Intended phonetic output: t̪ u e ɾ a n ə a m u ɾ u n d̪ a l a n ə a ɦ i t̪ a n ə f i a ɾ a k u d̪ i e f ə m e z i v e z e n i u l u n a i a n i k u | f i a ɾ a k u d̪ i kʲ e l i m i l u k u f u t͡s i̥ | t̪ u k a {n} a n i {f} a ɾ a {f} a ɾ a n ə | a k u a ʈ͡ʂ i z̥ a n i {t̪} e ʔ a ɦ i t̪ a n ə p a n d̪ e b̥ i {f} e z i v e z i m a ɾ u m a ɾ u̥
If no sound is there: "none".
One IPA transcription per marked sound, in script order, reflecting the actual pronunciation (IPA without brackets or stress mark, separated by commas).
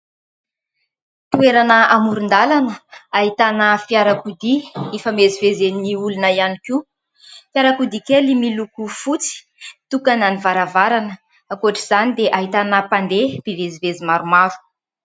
n, v, v, d̪, v